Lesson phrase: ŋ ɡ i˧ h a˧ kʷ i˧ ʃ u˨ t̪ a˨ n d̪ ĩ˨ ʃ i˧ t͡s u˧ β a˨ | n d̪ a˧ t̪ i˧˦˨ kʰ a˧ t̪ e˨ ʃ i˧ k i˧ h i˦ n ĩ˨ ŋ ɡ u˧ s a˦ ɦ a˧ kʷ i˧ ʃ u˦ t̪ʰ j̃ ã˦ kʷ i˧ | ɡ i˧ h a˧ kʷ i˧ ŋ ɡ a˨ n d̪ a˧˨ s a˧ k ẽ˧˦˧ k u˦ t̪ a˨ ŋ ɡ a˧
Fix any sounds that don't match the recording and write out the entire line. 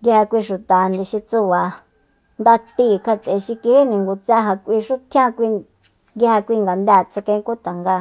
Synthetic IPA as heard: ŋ ɡ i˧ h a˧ kʷ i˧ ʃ u˨ t̪ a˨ n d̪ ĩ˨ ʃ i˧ t͡s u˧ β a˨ | n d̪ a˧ t̪ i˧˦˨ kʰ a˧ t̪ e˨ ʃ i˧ k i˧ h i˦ n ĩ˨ ŋ ɡ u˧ t͡s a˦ ɦ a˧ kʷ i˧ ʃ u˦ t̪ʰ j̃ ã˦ kʷ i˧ | ɡ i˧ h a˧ kʷ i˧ ŋ ɡ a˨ n d̪ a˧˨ t͡s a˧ k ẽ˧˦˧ k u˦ t̪ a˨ ŋ ɡ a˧